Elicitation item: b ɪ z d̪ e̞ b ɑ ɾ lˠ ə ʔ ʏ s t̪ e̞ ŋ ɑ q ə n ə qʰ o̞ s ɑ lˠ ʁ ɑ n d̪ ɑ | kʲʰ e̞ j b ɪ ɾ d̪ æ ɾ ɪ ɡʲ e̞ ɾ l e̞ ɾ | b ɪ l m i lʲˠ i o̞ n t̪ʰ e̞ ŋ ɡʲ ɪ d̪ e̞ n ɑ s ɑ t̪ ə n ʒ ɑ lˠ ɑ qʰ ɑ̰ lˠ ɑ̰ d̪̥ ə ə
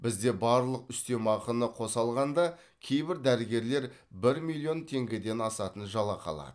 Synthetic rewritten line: b ɪ z d̪ e̞ b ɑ ɾ lˠ ə q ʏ s t̪ e̞ m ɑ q ə n ə qʰ o̞ s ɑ lˠ ʁ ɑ n d̪ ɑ | kʲʰ e̞ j b ɪ ɾ d̪ æ ɾ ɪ ɡʲ e̞ ɾ l e̞ ɾ | b ɪ ɾ m i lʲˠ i o̞ n t̪ʰ e̞ ŋ ɡʲ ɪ d̪ e̞ n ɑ s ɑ t̪ ə n ʒ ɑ lˠ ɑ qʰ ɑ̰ lˠ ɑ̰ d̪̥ ə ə